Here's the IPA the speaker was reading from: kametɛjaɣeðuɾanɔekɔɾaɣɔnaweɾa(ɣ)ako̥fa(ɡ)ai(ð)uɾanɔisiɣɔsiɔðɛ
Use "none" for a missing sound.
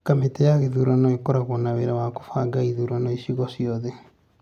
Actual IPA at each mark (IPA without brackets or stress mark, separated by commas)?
w, ɡ, ð